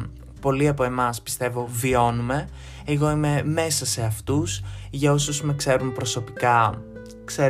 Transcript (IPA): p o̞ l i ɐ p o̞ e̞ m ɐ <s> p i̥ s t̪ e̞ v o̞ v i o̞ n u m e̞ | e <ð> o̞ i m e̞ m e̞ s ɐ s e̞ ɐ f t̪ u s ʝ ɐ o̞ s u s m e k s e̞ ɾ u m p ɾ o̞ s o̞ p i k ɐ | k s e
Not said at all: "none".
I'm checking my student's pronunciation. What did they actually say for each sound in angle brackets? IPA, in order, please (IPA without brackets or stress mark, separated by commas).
s, ɣ